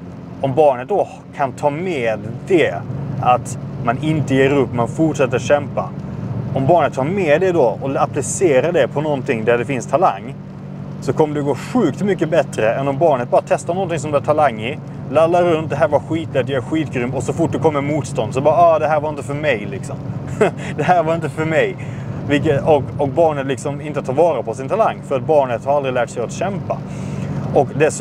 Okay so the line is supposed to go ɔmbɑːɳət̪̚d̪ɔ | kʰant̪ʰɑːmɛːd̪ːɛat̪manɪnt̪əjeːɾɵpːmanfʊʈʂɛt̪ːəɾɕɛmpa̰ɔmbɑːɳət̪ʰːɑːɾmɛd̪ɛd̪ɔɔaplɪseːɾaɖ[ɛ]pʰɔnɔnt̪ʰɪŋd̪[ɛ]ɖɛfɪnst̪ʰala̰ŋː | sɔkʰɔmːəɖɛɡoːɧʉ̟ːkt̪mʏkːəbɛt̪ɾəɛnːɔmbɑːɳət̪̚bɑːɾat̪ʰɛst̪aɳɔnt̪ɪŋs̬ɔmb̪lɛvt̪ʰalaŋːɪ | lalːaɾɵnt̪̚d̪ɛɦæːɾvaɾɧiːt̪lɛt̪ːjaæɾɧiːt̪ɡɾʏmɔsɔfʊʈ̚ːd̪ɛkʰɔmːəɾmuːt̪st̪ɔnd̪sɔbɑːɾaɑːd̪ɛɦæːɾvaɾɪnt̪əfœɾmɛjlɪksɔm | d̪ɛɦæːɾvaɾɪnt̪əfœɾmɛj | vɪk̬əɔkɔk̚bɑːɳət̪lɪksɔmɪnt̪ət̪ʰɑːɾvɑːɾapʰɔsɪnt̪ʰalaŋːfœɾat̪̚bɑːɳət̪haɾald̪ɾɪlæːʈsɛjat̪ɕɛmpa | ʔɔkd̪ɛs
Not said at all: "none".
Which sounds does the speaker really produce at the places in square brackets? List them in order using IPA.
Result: ɛ, æ

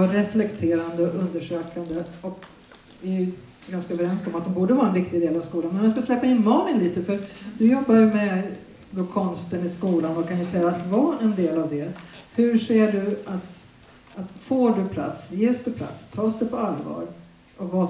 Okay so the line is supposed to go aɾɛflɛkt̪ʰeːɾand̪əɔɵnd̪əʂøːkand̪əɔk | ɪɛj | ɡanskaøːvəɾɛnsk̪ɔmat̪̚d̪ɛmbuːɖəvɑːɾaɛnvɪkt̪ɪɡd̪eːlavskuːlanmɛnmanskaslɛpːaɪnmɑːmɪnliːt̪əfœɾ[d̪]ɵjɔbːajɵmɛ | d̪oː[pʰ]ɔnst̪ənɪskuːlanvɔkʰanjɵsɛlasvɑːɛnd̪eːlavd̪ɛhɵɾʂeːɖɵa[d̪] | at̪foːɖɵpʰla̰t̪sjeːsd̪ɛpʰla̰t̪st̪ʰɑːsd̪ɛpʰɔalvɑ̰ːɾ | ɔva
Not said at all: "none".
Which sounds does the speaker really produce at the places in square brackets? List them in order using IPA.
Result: d̪, kʰ, t̪

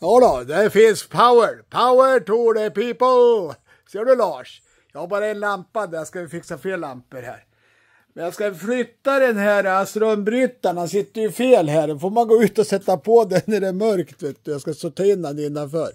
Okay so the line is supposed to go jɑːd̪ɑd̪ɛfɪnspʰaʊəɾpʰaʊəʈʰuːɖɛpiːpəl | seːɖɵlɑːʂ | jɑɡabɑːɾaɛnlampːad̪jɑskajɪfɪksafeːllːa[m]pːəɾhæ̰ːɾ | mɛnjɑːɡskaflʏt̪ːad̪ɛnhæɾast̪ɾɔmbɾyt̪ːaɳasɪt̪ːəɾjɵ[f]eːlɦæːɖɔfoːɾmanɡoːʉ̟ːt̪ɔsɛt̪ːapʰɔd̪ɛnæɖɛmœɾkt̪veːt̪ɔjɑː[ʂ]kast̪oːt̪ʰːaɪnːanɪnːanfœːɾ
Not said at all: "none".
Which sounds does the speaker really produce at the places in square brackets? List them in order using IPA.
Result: m, f, s

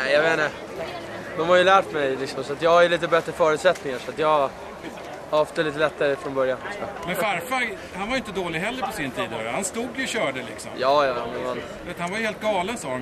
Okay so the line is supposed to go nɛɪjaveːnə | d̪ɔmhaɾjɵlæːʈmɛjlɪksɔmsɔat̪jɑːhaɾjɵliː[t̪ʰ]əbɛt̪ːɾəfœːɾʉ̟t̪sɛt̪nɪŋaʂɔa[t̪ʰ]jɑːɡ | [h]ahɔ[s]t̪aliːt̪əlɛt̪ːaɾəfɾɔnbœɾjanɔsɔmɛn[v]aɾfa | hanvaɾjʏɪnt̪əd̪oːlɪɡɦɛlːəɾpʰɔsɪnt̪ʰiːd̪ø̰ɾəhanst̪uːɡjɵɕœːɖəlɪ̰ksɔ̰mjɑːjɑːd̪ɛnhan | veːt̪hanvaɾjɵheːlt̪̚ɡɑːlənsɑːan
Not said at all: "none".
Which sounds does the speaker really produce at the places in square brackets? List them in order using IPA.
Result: t̪, t̪, h, f, f

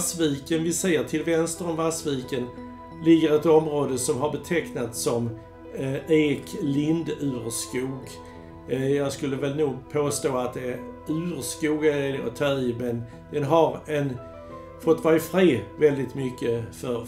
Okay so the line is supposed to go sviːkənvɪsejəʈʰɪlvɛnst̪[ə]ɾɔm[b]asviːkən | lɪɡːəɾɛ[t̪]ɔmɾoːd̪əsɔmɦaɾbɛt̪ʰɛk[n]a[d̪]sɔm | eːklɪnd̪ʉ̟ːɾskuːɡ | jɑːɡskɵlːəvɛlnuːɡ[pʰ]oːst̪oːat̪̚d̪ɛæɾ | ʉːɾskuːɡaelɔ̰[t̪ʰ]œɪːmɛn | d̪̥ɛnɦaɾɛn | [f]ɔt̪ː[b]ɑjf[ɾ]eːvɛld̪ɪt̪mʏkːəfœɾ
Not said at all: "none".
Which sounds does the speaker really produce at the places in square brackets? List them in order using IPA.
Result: ə, v, t̪, n, t̪, pʰ, t̪ʰ, f, v, ɾ

